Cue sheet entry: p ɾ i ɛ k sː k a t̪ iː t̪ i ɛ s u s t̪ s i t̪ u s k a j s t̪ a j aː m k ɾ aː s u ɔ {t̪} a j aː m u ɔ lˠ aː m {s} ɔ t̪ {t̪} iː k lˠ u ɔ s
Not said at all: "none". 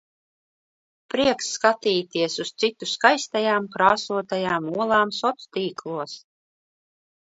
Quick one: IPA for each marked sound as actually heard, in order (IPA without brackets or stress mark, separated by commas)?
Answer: t̪, s, t̪